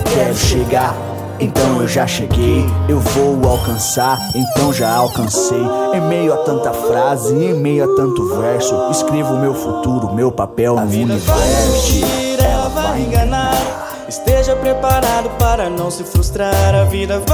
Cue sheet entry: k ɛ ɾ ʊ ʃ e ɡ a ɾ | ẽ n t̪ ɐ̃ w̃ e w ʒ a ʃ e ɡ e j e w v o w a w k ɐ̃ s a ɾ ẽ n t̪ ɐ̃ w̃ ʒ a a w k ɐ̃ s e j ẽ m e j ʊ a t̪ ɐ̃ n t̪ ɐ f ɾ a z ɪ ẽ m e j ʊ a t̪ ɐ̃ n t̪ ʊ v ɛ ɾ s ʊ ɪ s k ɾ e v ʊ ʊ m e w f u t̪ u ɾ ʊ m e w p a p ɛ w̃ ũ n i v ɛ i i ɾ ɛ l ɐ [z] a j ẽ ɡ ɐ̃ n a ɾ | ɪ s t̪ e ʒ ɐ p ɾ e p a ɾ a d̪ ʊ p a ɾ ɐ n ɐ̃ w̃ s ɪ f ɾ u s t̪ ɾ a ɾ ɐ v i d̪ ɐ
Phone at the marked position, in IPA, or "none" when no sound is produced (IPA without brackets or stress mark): v